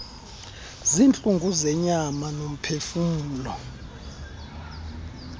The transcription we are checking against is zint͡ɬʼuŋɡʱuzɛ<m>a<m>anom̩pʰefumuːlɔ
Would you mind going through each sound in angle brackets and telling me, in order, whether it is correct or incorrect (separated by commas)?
incorrect, correct